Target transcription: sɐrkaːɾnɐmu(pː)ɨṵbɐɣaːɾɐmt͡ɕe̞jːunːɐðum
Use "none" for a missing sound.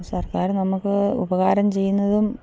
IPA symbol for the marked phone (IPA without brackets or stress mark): kː